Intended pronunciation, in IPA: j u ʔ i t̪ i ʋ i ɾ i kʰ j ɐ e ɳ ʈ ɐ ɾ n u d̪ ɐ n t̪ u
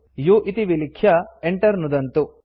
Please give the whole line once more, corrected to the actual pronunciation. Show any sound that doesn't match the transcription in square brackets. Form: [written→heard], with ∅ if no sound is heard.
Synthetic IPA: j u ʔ i t̪ i ʋ i [ɾ→l] i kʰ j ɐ e ɳ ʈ ɐ ɾ n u d̪ ɐ n t̪ u